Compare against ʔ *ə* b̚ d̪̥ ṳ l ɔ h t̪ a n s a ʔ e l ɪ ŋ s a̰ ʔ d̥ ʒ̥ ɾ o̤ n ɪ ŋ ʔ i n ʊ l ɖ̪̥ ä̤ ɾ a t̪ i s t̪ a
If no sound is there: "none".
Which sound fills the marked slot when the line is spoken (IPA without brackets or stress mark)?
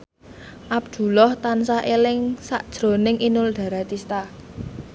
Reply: a